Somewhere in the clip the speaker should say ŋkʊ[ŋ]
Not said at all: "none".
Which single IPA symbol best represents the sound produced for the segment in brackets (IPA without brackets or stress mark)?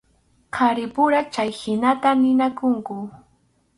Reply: none